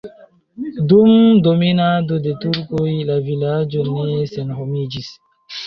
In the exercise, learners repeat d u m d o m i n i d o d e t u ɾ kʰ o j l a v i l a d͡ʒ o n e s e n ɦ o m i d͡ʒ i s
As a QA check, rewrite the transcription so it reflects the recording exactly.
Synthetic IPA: d u m d o m i n a d o d e t u ɾ k o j l a v i l a d͡ʒ o n e s e n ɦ o m i d͡ʒ i s